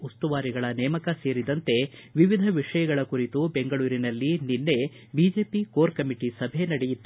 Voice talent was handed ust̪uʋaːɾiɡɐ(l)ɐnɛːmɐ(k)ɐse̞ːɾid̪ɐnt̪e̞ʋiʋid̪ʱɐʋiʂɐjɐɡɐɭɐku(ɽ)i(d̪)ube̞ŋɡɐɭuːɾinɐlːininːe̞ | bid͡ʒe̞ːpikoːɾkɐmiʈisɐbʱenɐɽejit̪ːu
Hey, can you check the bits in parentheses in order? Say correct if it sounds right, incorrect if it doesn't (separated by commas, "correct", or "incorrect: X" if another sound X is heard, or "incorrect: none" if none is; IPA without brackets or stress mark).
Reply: incorrect: ɭ, correct, incorrect: ɾ, incorrect: t̪